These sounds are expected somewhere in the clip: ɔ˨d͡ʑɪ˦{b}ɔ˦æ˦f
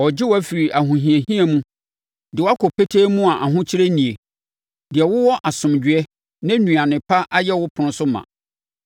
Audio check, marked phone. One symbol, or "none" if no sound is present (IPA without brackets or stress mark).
w